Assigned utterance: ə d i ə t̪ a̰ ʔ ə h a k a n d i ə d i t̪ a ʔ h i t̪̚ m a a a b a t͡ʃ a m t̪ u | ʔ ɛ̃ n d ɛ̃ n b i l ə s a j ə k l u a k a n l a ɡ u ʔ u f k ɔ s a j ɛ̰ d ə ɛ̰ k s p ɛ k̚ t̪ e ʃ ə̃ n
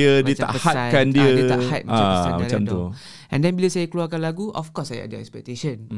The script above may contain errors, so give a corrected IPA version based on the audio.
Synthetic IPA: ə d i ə t̪ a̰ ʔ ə h a k a n d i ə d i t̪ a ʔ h a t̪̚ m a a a m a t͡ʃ a m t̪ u | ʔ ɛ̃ n d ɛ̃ n b i l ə s a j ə k l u a k a n l a ɡ u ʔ ɔ f k ɔ s a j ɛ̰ d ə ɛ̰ k s p ɛ k̚ t̪ e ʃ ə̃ n